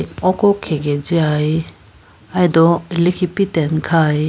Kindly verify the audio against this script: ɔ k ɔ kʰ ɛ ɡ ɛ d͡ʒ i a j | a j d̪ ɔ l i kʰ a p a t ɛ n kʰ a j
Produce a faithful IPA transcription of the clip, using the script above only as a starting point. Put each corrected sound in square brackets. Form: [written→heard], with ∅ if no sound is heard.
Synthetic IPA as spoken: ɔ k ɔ kʰ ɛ ɡ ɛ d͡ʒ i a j | a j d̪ ɔ l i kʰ [a→i] p [a→i] t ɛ n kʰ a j